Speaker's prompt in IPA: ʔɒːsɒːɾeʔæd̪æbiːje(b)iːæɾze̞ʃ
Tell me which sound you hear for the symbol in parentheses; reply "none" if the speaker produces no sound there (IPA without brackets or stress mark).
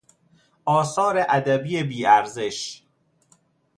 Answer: b